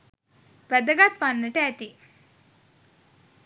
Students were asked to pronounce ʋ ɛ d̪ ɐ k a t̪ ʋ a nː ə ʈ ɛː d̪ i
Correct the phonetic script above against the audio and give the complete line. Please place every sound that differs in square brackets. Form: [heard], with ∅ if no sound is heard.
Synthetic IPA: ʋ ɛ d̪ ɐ [ɡ] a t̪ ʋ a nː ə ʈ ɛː [t̪] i